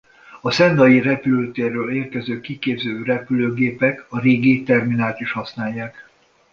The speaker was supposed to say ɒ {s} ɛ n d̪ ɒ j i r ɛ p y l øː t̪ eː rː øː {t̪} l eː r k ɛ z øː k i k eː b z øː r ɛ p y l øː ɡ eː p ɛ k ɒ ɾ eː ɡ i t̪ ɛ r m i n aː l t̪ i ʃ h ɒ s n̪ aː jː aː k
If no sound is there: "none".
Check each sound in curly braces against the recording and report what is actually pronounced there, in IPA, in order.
s, none

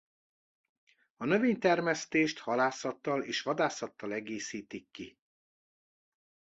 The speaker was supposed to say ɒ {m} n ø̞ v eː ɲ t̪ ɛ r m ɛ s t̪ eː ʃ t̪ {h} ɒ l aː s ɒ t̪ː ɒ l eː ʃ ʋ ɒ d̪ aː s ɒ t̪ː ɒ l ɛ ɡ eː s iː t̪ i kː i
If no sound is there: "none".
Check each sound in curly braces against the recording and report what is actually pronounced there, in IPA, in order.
none, h

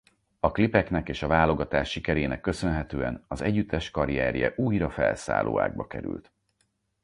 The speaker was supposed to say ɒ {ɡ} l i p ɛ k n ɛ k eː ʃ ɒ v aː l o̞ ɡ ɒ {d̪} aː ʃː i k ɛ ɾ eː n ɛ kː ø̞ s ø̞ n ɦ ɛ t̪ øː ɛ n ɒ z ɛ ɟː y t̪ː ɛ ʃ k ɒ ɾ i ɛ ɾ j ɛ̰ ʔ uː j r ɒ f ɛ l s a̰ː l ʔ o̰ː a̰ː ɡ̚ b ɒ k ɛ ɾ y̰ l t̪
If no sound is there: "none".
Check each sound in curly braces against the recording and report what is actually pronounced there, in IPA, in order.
k, t̪

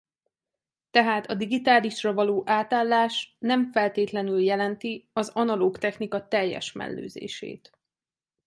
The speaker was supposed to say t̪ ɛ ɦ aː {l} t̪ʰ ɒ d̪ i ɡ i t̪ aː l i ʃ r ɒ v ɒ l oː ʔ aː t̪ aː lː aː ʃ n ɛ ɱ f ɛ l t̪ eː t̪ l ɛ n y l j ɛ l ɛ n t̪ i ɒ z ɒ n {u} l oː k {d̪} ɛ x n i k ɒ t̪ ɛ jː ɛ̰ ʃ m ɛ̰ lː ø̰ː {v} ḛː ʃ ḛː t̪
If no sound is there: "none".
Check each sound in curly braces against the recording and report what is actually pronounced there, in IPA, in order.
none, ɒ, t̪, z

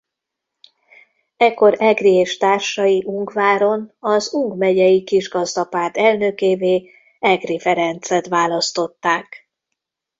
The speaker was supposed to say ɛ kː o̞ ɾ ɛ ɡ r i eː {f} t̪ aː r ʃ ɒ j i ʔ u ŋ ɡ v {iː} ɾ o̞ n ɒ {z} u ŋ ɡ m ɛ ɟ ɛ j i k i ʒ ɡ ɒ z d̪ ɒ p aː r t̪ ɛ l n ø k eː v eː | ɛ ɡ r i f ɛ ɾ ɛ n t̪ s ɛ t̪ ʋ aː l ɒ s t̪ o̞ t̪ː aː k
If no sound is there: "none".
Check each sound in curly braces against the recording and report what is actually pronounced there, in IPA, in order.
ʃ, aː, z

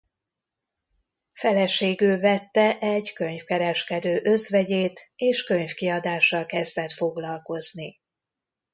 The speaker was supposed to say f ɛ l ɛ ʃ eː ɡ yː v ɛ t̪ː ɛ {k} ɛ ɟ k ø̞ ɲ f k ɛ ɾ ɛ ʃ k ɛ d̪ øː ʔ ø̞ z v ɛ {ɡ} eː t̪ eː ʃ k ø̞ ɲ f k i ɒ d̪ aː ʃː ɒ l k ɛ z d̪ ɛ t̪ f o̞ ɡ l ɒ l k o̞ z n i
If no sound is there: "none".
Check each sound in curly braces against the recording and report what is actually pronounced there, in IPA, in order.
ʔ, ɟ

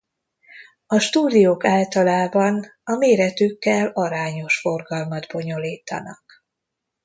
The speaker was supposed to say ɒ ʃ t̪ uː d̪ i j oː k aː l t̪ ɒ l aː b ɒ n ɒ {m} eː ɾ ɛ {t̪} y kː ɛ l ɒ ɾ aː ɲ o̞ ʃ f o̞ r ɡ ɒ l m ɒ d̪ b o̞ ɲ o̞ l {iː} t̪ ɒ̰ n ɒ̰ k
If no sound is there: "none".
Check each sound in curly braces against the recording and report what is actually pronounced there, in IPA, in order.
m, t̪, iː

